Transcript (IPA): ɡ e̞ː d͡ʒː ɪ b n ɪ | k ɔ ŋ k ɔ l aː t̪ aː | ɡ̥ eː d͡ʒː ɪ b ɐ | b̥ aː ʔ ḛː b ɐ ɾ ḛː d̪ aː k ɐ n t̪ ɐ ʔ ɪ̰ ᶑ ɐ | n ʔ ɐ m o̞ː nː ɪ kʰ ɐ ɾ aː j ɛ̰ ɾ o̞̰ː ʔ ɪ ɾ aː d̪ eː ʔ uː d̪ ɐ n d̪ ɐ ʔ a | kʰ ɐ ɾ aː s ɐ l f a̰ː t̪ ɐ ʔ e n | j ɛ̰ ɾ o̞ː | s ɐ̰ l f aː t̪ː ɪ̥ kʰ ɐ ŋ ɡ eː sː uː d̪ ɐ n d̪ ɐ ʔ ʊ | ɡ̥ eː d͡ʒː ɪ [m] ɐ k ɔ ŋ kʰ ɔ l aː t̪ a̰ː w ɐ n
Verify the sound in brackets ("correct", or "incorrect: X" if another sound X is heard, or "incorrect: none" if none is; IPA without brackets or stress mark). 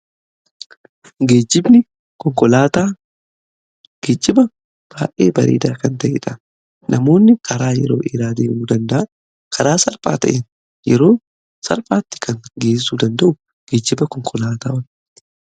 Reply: incorrect: b